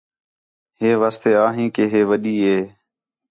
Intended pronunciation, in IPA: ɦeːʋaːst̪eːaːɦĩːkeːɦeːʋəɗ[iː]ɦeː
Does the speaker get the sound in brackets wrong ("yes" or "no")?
no